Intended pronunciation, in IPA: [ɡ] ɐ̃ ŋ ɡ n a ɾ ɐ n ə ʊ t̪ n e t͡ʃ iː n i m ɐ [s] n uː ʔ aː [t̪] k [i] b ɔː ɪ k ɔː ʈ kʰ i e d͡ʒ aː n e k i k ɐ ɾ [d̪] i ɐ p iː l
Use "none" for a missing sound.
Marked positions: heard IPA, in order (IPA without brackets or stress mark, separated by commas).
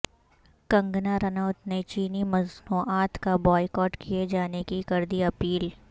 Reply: k, z, t̪, a, d̪